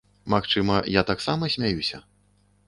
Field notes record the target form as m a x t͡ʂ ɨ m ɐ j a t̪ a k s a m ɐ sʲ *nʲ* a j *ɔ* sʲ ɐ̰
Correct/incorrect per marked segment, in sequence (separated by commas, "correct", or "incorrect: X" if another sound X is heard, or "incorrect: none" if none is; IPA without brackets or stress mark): incorrect: mʲ, incorrect: u